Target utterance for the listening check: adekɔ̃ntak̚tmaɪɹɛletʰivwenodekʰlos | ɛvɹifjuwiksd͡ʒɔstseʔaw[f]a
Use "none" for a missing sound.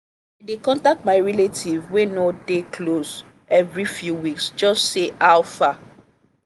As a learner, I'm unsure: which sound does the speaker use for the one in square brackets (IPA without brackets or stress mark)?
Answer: f